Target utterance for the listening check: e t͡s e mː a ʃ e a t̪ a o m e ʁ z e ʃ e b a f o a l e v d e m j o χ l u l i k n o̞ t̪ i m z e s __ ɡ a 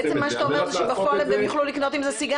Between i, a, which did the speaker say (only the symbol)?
i